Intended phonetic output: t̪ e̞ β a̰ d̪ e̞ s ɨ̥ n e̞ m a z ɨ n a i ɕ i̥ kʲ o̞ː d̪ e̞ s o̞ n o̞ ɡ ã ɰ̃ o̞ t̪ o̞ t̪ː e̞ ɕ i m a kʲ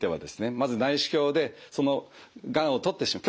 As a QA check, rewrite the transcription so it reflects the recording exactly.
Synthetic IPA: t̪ e̞ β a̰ d̪ e̞ s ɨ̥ n e̞ m a z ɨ n a i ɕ i̥ kʲ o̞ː d̪ e̞ s o̞ n o̞ ɡ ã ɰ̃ o̞ t̪ o̞ t̪ː e̞ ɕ i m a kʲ